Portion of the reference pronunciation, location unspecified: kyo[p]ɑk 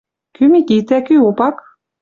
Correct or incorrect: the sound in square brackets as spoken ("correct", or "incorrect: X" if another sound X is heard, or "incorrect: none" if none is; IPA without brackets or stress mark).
correct